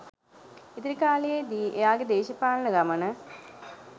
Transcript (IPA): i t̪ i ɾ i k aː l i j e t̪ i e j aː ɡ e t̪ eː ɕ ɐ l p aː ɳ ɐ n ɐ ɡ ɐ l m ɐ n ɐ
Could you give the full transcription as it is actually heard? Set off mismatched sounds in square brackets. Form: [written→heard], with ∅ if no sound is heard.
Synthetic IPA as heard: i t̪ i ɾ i k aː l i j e [t̪→d̪] i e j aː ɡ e [t̪→d̪] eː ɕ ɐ [l→∅] p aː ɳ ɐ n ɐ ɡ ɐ [l→∅] m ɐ n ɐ